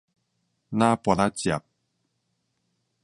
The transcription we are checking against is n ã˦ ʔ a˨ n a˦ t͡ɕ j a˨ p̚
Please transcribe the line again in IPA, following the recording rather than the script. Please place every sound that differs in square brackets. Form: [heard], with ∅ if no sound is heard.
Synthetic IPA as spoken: n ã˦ [p] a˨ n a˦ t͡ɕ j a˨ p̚